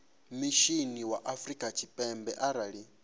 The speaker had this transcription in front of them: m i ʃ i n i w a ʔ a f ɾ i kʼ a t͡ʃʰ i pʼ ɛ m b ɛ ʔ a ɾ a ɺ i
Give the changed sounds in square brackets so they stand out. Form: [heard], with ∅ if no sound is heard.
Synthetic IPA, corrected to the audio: m i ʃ i n i w a ʔ a f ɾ i kʼ a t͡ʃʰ i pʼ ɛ m b ɛ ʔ a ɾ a ɺ i